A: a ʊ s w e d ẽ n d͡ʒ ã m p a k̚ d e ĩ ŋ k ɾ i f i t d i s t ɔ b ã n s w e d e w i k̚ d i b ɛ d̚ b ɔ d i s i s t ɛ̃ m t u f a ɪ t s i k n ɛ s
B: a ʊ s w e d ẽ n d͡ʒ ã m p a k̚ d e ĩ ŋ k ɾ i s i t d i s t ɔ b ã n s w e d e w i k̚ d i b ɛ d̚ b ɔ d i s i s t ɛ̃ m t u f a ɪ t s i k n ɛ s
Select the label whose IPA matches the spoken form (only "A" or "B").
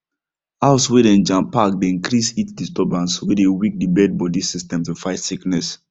B